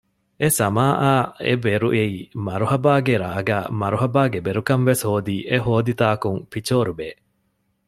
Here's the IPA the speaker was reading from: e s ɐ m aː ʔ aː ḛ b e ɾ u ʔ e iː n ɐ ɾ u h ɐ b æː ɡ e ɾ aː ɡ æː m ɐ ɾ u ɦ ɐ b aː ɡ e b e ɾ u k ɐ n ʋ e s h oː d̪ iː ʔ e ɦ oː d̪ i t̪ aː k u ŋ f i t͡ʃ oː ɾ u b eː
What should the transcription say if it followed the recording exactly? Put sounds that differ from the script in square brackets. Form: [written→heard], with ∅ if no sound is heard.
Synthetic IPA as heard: e s ɐ m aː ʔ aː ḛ b e ɾ u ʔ e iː [n→m] ɐ ɾ u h ɐ b [æː→aː] ɡ e ɾ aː ɡ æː m ɐ ɾ u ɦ ɐ b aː ɡ e b e ɾ u k ɐ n ʋ e s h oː d̪ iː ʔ e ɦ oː d̪ i t̪ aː k u ŋ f i t͡ʃ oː ɾ u b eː

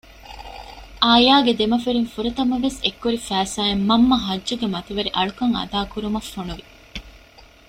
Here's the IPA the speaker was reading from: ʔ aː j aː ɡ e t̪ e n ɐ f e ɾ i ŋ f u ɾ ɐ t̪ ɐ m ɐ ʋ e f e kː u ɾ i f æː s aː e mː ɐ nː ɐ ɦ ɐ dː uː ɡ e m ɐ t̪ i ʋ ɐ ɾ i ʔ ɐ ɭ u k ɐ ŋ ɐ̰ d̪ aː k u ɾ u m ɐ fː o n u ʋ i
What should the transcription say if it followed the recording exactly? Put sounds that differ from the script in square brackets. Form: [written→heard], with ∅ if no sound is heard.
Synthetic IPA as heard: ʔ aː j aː ɡ e [t̪→d̪] e [n→m] ɐ f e ɾ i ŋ f u ɾ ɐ t̪ ɐ m ɐ ʋ e [f→s] e kː u ɾ i f æː s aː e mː ɐ [nː→mː] ɐ ɦ ɐ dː [uː→u] ɡ e m ɐ t̪ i ʋ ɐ ɾ i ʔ ɐ ɭ u k ɐ ŋ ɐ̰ d̪ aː k u ɾ u m ɐ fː o n u ʋ i

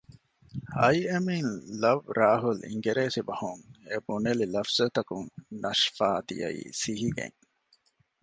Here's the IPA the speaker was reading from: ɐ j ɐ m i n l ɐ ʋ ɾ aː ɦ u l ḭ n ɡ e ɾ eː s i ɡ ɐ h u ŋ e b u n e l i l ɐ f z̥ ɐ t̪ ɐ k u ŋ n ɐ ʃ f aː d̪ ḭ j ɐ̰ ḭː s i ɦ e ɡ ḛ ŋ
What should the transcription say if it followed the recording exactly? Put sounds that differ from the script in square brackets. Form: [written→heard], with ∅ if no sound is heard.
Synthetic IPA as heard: ɐ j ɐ m i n l ɐ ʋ ɾ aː ɦ u l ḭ [n→ŋ] ɡ e ɾ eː s i [ɡ→b] ɐ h u ŋ e b u n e l i l ɐ f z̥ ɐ t̪ ɐ k u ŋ n ɐ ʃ f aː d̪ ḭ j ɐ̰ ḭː s i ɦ [e→i] ɡ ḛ ŋ

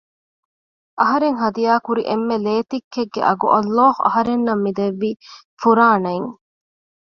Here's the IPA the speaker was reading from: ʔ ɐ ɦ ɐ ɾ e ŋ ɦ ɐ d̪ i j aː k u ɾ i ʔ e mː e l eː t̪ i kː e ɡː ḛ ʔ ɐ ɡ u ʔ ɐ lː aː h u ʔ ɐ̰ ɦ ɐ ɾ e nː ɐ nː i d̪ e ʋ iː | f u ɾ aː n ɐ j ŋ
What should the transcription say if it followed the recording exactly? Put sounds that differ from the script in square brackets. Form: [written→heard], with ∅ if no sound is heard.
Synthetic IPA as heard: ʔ ɐ ɦ ɐ ɾ e ŋ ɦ ɐ d̪ i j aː k u ɾ i ʔ e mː e l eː t̪ i kː e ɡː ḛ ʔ ɐ ɡ u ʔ ɐ lː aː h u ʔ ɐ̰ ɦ ɐ ɾ e nː ɐ [nː→mː] i d̪ e [ʋ→ʋː] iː | f u ɾ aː n ɐ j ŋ

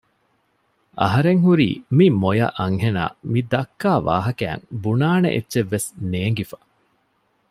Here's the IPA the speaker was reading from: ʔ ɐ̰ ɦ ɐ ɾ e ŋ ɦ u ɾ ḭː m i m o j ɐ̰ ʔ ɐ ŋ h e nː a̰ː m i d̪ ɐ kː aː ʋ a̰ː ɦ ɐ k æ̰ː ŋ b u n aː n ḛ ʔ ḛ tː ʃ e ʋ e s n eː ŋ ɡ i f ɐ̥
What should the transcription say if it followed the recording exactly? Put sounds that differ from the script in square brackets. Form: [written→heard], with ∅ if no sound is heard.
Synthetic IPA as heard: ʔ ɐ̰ ɦ ɐ ɾ e ŋ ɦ u ɾ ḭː m i m o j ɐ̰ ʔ ɐ ŋ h e [nː→n] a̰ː m i d̪ ɐ kː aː ʋ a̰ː ɦ ɐ k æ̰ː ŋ b u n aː n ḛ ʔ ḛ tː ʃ e [ʋ→ʋː] e s n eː ŋ ɡ i f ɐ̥

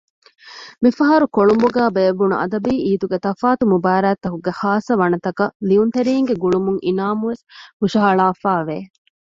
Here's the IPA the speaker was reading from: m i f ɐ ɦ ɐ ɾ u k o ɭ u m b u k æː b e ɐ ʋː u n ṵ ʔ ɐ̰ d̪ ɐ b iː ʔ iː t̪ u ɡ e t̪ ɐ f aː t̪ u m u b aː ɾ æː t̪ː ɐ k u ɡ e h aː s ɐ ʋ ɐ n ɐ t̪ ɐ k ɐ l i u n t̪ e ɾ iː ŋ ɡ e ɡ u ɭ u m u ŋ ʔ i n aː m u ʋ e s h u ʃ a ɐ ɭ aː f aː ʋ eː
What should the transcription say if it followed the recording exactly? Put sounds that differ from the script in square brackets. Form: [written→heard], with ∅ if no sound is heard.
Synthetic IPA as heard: m i f ɐ ɦ ɐ ɾ u k o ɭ u m b u [k→ɡ] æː b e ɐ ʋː u n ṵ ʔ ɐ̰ d̪ ɐ b iː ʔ iː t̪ u ɡ e t̪ ɐ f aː t̪ u m u b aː ɾ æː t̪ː ɐ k u ɡ e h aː s ɐ ʋ ɐ n ɐ t̪ ɐ k ɐ l i u n t̪ e ɾ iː ŋ ɡ e ɡ u ɭ u m u ŋ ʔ i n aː m u ʋ e s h u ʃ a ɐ ɭ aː f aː ʋ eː

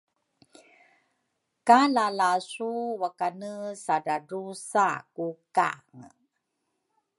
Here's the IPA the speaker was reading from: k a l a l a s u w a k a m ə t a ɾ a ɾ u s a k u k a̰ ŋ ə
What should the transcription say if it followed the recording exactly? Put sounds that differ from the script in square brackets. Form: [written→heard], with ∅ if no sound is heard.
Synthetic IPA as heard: k a l a l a s u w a k a [m→n] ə [t→s] a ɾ a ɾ u s a k u k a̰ ŋ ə

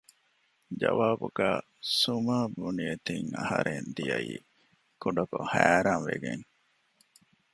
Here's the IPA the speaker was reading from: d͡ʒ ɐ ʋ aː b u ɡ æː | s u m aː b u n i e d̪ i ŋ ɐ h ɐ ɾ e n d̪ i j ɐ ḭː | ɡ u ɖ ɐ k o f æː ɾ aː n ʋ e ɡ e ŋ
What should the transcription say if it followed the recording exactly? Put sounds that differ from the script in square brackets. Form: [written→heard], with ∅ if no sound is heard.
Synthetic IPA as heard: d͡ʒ ɐ ʋ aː b u ɡ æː | s u m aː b u n i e [d̪→t̪] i ŋ ɐ h ɐ ɾ e n d̪ i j ɐ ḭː | [ɡ→k] u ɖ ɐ k o [f→h] æː ɾ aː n ʋ e ɡ e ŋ

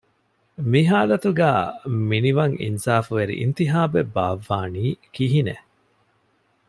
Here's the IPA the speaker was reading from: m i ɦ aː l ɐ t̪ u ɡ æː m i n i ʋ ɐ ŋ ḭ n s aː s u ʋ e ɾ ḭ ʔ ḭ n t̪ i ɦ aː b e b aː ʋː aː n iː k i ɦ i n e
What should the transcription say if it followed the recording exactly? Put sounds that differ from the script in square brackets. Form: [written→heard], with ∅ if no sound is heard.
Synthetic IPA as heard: m i ɦ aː l ɐ t̪ u ɡ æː m i n i ʋ ɐ ŋ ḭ n s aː [s→f] u ʋ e ɾ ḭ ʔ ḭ n t̪ i ɦ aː b e b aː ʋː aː n iː k i ɦ i n e

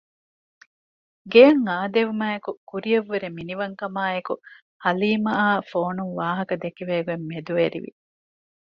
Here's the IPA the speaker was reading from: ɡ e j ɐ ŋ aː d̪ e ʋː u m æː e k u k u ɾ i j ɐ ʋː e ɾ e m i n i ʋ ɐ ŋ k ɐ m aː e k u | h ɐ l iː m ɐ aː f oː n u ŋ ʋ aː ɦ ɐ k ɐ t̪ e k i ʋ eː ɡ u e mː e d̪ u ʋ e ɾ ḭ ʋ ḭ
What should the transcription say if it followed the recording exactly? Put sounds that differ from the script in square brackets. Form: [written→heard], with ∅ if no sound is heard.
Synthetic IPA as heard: ɡ e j ɐ ŋ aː d̪ e [ʋː→ʋ] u m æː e k u k u ɾ i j ɐ ʋː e ɾ e m i n i ʋ ɐ ŋ k ɐ m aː e k u | h ɐ l iː m ɐ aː f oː n u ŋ ʋ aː ɦ ɐ k ɐ [t̪→d̪] e k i ʋ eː ɡ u e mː e d̪ u ʋ e ɾ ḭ ʋ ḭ

